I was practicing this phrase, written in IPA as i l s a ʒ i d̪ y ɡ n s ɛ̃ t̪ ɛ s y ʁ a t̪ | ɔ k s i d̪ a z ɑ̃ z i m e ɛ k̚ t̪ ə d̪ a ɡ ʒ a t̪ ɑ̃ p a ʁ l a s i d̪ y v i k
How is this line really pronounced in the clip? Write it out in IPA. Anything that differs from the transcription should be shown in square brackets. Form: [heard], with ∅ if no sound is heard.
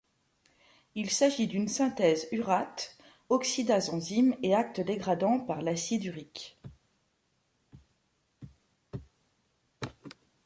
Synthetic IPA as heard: i l s a ʒ i d̪ y [∅] n s ɛ̃ t̪ ɛ [z] y ʁ a t̪ | ɔ k s i d̪ a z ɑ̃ z i m e [a] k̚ t̪ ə d̪ [e] ɡ [ʁ] a [d̪] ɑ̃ p a ʁ l a s i d̪ y [ʁ] i k